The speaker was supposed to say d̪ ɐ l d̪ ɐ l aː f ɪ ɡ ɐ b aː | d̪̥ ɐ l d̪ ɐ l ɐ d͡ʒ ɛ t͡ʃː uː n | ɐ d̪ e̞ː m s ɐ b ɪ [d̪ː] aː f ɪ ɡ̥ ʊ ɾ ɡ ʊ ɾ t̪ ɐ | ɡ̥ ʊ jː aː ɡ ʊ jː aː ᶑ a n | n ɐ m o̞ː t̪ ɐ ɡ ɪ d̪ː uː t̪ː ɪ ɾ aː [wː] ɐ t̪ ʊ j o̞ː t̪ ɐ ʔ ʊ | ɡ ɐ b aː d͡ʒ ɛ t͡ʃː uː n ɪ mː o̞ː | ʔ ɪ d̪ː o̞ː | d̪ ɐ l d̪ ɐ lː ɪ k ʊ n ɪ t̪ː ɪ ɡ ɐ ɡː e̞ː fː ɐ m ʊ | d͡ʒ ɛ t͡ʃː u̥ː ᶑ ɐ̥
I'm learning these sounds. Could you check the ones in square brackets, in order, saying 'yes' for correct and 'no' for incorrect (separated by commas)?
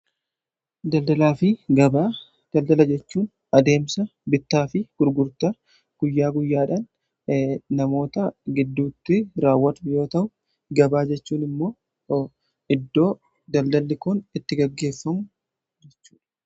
no, yes